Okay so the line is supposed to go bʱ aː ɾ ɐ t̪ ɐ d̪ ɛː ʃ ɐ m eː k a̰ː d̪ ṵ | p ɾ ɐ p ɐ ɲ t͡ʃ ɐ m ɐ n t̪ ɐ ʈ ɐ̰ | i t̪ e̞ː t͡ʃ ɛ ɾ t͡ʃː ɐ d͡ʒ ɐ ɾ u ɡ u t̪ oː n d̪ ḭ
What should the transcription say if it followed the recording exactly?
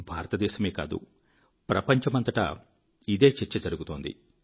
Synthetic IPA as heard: bʱ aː ɾ ɐ t̪ ɐ d̪ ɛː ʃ ɐ m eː k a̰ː d̪ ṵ | p ɾ ɐ p ɐ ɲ t͡ʃ ɐ m ɐ n t̪ ɐ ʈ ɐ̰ | i d̪ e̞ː t͡ʃ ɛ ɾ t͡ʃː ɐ d͡ʒ ɐ ɾ u ɡ u t̪ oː n d̪ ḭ